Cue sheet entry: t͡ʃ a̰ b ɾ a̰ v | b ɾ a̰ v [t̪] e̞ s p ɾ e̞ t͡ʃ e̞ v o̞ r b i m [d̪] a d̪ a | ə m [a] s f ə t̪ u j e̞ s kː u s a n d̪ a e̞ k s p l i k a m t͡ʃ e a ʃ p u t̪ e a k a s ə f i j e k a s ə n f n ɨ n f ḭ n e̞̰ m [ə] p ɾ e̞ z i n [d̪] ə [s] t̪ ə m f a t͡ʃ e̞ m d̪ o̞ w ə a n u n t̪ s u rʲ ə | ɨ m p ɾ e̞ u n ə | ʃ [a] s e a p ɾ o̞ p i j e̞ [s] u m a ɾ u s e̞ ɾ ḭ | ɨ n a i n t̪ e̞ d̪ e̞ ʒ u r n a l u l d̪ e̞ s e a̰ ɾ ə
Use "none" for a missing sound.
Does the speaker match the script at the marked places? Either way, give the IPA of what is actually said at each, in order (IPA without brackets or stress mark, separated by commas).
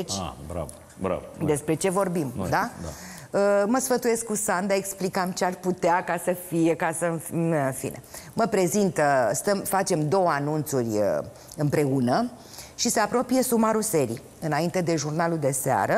d̪, d̪, ə, ə, t̪, s, i, s